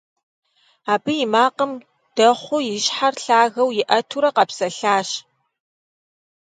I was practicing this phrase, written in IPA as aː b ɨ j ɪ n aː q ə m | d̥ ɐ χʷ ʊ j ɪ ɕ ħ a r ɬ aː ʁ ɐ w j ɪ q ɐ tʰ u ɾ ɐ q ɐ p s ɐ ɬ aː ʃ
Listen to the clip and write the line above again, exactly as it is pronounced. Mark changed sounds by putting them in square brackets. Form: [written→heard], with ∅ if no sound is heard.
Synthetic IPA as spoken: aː b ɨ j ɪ [n→m] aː q ə m | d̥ ɐ χʷ ʊ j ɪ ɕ ħ a r ɬ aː [ʁ→ɣ] ɐ w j ɪ [q→ʔ] ɐ tʰ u ɾ ɐ q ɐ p s ɐ ɬ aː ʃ